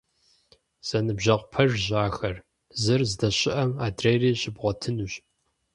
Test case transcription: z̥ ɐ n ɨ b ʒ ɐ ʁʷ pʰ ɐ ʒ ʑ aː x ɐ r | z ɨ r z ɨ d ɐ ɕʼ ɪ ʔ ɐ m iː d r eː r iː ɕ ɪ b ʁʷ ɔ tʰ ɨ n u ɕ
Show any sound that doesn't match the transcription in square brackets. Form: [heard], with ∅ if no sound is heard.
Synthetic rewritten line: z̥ ɐ n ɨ b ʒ ɐ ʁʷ pʰ ɐ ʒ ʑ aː x ɐ r | z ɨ r z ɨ d ɐ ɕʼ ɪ ʔ ɐ m [aː] d r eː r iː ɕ ɪ b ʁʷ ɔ tʰ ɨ n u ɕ